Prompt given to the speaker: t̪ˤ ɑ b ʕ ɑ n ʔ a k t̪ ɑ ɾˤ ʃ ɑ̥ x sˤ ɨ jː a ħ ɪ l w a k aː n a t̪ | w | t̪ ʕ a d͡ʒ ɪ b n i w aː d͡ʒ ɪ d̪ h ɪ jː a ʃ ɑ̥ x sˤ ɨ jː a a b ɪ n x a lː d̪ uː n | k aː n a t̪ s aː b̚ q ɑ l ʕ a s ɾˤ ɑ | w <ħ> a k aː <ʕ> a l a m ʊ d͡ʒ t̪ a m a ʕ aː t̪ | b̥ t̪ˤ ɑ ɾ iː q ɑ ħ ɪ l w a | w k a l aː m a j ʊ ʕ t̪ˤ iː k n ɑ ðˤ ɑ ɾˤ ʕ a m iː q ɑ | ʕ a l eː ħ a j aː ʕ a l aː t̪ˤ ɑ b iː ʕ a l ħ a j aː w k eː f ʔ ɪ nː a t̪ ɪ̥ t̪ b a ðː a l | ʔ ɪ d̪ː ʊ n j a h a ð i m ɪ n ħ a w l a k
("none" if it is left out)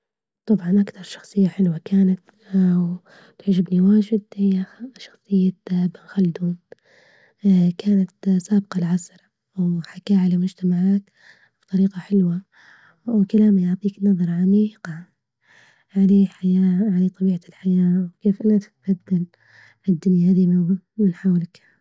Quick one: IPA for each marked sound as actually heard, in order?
ħ, ʕ

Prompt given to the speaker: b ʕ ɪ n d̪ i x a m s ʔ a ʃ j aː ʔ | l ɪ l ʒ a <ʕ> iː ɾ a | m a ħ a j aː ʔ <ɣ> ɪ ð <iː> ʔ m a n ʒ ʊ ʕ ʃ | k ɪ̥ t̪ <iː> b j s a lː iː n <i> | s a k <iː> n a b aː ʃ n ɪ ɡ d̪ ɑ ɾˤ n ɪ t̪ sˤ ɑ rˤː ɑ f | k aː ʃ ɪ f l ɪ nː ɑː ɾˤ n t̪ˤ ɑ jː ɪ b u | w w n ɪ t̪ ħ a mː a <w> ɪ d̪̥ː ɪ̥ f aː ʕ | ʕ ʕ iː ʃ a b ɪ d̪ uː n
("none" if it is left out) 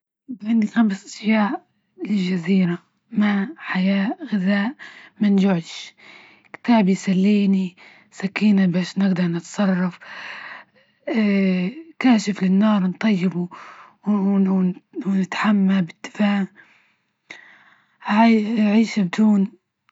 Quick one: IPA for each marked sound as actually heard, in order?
z, ɣ, aː, aː, i, iː, b

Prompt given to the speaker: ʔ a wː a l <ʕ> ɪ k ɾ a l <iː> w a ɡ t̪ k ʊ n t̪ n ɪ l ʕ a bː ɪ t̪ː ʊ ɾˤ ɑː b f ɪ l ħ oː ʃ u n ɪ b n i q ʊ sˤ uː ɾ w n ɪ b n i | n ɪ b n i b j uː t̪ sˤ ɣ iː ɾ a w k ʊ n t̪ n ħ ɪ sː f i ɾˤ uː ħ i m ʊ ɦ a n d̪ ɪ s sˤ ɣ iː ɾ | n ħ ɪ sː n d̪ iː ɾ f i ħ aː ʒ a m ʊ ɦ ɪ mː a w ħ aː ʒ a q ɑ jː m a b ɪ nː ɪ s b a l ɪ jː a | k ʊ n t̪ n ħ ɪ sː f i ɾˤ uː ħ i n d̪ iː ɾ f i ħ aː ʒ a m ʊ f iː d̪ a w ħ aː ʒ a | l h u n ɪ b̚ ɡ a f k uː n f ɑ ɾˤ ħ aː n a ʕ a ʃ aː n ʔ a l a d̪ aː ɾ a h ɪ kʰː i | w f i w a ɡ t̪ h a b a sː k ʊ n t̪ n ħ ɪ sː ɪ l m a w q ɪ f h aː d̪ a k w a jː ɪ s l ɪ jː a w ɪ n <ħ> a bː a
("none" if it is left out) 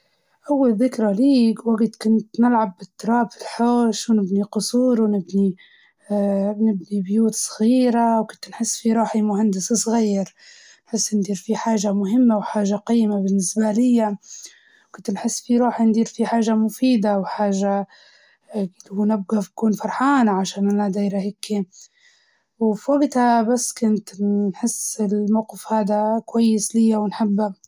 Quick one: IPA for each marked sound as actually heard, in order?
ð, iː, ħ

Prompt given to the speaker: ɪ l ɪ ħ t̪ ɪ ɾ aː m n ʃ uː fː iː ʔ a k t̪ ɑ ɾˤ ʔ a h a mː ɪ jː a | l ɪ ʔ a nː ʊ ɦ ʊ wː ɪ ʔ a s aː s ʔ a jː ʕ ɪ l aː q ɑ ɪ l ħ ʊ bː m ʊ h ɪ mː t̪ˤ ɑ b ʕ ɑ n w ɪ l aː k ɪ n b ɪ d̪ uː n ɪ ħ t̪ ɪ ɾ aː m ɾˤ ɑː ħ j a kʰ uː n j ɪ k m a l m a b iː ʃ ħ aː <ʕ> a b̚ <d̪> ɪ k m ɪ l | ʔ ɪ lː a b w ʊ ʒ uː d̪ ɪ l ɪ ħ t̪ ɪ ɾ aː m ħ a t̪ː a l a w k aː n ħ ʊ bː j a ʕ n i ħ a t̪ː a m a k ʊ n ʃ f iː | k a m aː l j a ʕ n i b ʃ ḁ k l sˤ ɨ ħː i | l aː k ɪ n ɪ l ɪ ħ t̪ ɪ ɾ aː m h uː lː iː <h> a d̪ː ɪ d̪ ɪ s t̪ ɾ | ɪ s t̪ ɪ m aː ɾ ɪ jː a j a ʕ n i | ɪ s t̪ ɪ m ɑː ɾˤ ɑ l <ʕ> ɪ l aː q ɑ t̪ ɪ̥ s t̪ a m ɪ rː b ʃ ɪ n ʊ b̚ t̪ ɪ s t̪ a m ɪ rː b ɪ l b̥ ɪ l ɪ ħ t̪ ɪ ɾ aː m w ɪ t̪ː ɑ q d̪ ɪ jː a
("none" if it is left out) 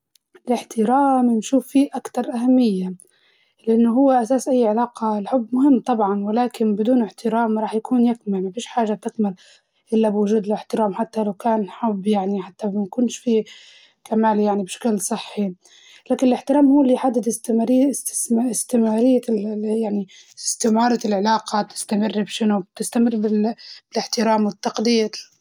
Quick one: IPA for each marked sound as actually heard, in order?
ʒ, t̪, ħ, ʕ

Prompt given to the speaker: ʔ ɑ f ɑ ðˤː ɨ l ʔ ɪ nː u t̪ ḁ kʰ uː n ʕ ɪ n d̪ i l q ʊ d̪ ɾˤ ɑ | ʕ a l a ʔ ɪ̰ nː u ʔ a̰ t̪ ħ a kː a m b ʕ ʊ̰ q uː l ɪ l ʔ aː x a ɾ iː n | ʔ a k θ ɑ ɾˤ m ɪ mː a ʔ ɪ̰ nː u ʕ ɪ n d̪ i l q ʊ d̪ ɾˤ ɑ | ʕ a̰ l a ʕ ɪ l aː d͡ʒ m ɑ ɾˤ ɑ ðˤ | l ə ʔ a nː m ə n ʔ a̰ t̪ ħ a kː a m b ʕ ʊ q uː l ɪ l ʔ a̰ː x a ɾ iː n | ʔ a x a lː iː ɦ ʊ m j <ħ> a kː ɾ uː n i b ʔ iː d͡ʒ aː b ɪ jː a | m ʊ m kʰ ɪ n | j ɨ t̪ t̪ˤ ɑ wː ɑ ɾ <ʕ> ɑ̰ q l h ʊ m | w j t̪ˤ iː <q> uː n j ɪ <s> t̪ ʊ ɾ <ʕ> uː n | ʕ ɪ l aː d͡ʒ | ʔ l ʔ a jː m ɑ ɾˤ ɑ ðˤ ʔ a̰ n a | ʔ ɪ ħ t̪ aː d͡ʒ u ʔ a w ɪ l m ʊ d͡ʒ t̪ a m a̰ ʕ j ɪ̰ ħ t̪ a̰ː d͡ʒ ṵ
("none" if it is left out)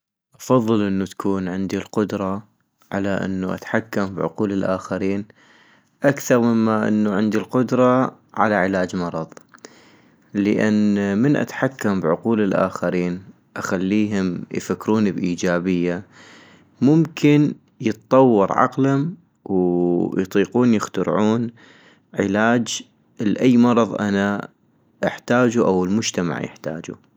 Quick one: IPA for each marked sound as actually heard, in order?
f, ʕ, q, x, ʕ

